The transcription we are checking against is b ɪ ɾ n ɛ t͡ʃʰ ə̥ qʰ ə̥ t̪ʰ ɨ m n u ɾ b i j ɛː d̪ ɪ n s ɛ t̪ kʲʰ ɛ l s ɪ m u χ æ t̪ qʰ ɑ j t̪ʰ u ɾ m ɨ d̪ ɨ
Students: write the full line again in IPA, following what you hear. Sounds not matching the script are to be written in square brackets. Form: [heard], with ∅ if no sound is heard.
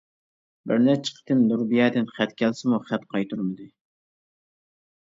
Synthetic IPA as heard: b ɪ ɾ n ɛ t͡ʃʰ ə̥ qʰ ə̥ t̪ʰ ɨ m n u ɾ b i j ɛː d̪ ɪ n [χ] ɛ t̪ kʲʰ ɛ l s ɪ m u χ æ t̪ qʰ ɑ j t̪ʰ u ɾ m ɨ d̪ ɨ